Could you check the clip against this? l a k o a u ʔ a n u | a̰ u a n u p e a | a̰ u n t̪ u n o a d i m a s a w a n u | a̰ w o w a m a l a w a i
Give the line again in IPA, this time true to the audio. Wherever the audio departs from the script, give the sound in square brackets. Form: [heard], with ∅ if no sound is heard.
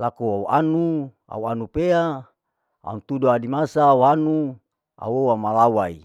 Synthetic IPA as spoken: l a k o a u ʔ a n u | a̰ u a n u p e a | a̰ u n t̪ u [d] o a d i m a s a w a n u | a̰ w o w a m a l a w a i